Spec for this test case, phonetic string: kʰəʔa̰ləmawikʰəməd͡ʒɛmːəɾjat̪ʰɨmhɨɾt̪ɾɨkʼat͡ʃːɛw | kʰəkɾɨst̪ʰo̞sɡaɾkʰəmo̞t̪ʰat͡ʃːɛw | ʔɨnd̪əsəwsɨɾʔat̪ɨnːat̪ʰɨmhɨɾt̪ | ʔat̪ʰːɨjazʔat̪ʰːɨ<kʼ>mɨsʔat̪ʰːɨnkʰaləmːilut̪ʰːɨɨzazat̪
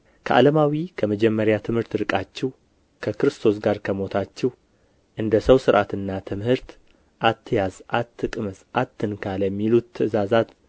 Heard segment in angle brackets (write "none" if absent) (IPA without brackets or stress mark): kʼ